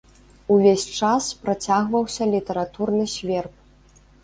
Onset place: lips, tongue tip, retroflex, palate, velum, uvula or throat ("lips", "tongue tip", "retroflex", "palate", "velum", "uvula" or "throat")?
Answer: lips